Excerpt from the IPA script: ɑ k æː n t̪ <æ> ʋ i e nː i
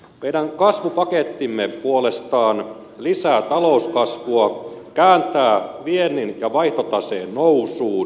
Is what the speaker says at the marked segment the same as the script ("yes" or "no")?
no